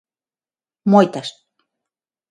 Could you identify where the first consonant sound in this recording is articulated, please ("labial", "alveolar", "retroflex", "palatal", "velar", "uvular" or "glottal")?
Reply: labial